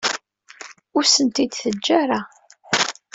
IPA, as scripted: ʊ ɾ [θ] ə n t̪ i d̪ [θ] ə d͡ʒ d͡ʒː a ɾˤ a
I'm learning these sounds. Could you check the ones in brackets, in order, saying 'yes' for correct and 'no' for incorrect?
no, yes

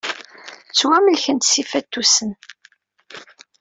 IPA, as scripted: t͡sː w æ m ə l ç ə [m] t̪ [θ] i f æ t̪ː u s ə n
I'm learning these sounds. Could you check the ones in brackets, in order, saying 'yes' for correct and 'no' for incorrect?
no, no

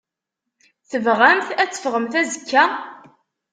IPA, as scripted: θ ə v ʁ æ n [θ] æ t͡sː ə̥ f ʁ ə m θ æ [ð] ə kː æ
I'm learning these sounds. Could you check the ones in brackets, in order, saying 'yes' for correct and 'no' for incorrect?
yes, no

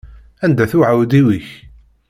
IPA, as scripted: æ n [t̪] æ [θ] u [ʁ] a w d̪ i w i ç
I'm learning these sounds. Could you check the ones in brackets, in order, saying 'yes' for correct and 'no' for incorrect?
no, yes, no

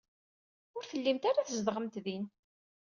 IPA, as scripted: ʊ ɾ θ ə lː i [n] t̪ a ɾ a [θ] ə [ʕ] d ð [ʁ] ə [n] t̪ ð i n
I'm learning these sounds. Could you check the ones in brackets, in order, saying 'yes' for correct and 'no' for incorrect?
no, yes, no, yes, no

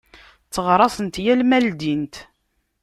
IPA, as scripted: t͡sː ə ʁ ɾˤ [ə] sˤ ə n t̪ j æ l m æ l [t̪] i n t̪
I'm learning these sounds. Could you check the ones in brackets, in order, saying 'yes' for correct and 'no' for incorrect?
no, no

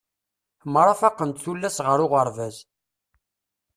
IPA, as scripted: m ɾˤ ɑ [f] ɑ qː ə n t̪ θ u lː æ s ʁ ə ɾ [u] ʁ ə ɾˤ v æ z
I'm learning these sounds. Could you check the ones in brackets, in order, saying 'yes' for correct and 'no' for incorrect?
yes, no

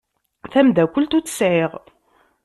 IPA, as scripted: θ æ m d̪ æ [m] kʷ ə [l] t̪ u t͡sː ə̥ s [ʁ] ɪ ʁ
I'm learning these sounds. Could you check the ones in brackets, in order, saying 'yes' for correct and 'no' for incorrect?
no, yes, no

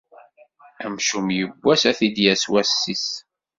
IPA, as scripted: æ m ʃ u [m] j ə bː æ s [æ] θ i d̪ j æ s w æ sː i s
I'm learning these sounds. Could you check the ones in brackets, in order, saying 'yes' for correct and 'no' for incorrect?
yes, yes

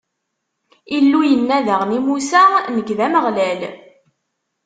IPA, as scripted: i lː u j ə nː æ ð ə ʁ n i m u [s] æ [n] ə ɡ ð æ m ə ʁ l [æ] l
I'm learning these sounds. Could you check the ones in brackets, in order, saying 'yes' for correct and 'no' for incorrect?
yes, yes, yes

